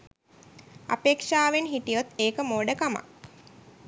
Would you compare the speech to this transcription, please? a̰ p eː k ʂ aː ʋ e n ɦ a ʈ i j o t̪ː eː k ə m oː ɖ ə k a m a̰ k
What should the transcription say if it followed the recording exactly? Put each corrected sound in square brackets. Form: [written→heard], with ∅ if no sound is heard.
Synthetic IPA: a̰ p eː k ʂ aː ʋ e n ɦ [a→i] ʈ i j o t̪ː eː k ə m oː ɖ ə k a m a̰ k